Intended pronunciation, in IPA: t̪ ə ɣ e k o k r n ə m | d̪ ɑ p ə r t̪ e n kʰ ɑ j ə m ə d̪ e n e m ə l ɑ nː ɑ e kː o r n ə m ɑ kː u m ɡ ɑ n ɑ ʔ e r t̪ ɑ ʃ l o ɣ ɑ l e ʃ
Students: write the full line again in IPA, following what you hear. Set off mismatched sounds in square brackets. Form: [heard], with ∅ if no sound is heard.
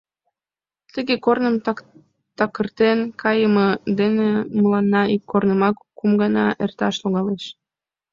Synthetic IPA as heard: t̪ ə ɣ e k o [∅] r n ə m | [t̪] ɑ [k] ə r t̪ e n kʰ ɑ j ə m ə d̪ e n e m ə l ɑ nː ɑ [i] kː o r n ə m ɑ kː u m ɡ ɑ n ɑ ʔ e r t̪ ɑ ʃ l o ɣ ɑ l e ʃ